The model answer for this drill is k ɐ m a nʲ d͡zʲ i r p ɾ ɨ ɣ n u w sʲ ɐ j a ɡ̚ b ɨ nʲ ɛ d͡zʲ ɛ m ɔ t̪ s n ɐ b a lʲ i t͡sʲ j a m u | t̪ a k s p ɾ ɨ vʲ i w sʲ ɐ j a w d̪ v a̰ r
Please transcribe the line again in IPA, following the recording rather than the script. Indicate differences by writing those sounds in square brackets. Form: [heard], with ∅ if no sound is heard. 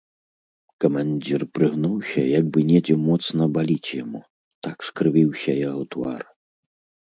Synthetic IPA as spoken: k ɐ m a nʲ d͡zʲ i r p ɾ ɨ ɣ n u w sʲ ɐ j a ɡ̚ b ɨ nʲ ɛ d͡zʲ ɛ m ɔ t̪ s n ɐ b a lʲ i t͡sʲ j a m u | t̪ a k s [k] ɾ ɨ vʲ i w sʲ ɐ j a w [t̪] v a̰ r